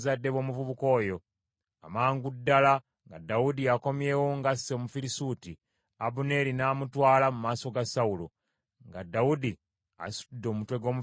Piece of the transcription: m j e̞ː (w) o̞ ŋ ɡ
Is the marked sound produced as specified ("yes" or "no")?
yes